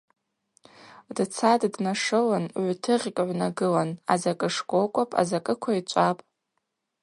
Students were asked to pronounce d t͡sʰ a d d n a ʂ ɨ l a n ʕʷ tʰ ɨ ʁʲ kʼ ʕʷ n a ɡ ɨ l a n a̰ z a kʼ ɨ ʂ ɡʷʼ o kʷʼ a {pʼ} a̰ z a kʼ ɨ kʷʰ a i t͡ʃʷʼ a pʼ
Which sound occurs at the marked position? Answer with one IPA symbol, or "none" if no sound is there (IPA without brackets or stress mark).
pʼ